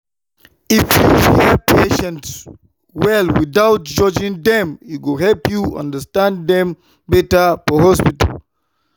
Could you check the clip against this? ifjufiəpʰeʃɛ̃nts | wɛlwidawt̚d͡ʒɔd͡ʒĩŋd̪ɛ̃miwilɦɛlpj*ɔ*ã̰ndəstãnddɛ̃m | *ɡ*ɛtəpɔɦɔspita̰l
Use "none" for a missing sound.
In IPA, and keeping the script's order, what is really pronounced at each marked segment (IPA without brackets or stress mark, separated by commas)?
u, b